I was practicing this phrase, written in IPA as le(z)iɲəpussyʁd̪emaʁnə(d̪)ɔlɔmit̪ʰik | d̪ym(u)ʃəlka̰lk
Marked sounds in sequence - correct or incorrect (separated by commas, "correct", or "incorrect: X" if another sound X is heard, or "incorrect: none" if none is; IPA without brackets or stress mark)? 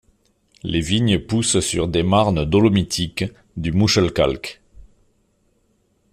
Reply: incorrect: v, correct, correct